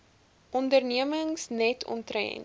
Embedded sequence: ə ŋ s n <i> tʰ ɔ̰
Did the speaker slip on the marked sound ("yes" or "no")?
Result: yes